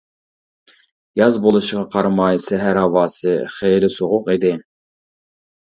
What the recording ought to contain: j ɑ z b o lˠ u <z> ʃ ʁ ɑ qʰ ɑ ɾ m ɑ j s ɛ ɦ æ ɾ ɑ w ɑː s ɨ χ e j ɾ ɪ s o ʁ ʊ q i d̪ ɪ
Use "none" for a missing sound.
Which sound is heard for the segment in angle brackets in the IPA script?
none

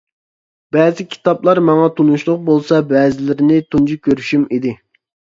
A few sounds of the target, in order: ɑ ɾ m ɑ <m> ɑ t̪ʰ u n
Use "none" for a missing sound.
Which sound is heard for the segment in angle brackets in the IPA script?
ŋ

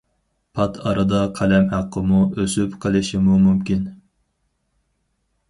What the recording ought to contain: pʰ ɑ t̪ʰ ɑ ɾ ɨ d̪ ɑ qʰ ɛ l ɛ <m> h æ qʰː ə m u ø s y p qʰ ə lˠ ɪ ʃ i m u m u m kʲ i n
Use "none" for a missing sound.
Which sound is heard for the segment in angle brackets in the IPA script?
m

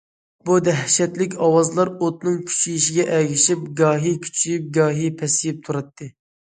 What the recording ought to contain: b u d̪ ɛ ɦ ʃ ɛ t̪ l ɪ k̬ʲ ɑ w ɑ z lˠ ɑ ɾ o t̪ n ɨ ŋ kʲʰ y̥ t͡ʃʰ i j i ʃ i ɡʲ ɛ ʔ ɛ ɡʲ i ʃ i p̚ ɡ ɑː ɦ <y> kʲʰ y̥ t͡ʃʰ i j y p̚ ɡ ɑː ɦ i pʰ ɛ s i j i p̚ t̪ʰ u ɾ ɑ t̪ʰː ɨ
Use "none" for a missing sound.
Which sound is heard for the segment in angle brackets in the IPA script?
i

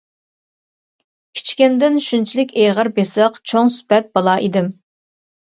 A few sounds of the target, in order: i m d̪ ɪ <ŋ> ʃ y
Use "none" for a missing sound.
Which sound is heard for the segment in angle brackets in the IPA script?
n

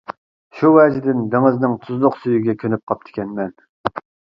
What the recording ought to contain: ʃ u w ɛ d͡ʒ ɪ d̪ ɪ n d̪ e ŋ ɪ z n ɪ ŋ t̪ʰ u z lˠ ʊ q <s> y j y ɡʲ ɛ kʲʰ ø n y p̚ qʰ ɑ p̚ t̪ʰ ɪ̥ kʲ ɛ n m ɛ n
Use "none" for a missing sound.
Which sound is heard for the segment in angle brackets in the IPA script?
s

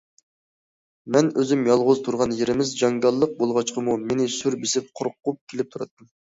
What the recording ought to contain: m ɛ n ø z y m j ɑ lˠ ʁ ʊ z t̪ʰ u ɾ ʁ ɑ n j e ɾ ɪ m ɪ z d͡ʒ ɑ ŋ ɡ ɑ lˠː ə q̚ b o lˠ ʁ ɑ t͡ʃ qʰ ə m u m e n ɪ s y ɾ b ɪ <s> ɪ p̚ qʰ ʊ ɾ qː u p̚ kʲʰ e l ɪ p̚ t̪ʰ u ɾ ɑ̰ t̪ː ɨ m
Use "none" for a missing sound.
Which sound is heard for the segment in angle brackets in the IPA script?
s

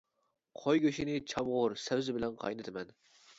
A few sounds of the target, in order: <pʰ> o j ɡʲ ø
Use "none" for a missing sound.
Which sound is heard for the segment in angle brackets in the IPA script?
qʰ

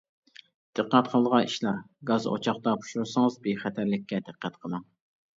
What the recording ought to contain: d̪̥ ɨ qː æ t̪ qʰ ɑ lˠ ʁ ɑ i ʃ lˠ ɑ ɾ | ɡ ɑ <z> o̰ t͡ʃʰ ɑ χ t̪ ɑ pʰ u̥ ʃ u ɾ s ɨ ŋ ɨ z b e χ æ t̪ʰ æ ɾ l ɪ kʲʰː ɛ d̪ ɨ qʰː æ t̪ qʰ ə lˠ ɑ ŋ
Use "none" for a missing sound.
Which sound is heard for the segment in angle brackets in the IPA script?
z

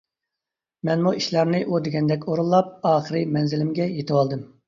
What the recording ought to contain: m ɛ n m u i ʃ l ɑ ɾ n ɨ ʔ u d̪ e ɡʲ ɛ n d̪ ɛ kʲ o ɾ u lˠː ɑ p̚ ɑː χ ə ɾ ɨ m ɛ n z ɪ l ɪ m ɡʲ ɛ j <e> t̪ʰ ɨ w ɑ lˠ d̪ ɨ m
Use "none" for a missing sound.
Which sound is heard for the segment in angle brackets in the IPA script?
e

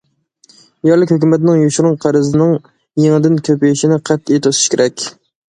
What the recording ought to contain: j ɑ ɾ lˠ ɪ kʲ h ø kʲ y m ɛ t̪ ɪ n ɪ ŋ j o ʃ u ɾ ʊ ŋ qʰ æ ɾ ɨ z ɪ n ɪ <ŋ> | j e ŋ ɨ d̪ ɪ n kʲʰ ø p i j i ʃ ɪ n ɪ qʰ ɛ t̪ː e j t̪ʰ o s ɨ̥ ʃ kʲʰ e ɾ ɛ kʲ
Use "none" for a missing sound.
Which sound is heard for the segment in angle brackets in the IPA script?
ŋ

